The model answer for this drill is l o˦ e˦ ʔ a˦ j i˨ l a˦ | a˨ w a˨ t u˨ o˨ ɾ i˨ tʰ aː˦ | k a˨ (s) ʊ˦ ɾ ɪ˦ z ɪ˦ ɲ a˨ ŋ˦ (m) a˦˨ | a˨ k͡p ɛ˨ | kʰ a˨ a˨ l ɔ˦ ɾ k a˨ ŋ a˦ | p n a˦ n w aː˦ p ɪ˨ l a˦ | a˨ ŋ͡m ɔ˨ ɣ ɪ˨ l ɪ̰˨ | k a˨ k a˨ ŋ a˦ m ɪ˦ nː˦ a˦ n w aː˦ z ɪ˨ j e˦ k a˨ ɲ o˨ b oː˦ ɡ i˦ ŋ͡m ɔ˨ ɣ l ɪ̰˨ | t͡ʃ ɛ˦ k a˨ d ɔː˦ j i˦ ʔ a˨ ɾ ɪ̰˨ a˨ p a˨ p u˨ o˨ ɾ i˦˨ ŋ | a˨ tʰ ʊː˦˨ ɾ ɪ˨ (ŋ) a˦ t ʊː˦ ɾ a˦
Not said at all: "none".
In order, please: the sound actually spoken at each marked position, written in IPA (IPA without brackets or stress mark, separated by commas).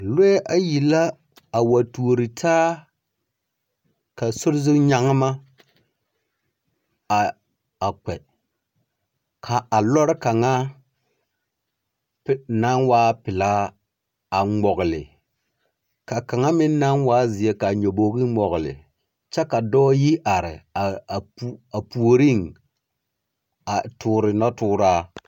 s, m, n